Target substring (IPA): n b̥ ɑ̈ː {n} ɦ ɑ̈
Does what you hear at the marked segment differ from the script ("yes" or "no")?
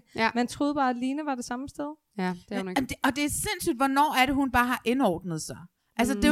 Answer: yes